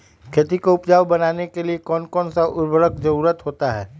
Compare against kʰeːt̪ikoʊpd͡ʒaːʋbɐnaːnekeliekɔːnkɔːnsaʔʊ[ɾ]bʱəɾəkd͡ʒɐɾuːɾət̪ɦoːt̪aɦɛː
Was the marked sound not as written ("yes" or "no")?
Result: no